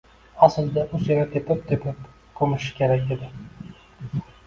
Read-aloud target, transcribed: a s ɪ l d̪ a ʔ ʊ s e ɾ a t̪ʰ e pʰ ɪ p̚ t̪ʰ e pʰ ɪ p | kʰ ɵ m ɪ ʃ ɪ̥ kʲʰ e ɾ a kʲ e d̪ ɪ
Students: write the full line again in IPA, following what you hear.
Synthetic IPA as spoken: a s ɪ l d̪ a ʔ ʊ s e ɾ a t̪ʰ e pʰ ɪ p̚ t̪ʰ e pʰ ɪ p | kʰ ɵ m ɪ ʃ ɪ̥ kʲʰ e ɾ a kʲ e d̪ ɪ